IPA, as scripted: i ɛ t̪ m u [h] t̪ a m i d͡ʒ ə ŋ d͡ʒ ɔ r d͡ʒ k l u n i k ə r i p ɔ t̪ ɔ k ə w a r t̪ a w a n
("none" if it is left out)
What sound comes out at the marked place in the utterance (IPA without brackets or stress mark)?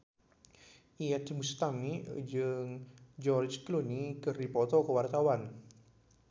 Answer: s